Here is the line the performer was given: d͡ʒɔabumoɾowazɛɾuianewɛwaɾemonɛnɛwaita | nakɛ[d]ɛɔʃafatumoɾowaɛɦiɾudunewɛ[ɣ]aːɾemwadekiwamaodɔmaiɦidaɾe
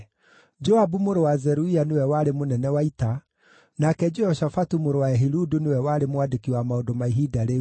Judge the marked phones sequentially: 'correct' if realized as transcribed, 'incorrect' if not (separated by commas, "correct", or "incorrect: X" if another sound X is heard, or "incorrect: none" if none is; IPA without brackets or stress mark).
incorrect: d͡ʒ, incorrect: w